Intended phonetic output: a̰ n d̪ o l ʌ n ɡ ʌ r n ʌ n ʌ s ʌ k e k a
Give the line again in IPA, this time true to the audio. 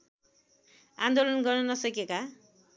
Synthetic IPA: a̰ n d̪ o l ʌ n ɡ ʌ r n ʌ n ʌ s ʌ k e k a